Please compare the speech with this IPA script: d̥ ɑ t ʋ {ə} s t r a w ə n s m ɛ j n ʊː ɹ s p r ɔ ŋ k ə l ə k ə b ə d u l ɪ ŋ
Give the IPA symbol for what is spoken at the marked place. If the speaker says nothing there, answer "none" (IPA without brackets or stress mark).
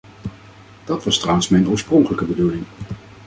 ɑ